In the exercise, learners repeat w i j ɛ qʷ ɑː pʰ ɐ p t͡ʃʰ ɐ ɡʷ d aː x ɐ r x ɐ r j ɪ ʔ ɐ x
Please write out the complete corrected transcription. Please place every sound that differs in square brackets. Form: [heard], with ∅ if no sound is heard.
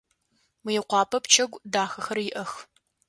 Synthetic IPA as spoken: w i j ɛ qʷ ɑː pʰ ɐ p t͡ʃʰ ɐ ɡʷ d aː x ɐ [∅] x ɐ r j ɪ ʔ ɐ x